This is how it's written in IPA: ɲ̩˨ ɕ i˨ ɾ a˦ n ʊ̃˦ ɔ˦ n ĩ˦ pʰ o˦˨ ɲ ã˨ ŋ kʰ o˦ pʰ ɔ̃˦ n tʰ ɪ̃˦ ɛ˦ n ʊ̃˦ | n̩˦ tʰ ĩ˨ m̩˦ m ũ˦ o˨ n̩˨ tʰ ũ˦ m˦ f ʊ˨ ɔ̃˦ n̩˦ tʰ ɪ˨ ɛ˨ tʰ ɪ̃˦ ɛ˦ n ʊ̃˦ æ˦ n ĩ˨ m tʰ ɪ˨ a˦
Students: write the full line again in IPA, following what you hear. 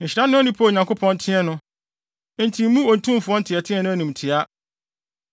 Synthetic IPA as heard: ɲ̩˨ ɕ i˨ ɾ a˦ n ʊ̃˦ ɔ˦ n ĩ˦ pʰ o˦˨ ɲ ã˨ ŋ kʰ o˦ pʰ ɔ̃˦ n tʰ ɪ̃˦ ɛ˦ n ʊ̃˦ | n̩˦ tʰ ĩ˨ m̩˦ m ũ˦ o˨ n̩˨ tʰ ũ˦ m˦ f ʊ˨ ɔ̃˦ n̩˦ tʰ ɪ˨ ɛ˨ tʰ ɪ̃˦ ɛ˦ n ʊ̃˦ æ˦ n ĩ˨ m tʰ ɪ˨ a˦